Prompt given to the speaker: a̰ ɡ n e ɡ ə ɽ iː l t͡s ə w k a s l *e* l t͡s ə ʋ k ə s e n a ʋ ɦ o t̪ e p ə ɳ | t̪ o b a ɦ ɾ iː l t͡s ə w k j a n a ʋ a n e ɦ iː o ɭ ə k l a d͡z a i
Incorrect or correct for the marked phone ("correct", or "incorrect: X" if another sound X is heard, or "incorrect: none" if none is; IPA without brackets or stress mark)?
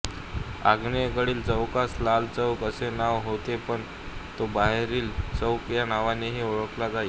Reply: incorrect: a